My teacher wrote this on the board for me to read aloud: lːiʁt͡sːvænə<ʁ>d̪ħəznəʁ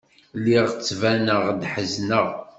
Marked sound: correct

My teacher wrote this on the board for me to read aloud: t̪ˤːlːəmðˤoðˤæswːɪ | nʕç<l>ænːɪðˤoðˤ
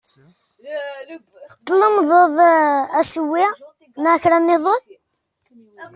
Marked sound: incorrect: ɾ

